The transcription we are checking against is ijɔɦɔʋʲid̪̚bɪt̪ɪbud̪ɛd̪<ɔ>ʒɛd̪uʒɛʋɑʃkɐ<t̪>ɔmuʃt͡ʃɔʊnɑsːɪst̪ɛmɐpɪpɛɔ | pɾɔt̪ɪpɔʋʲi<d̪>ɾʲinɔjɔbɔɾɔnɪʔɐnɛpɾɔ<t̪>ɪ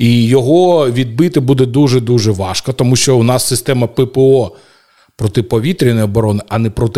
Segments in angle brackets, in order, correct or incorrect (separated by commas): incorrect, correct, incorrect, correct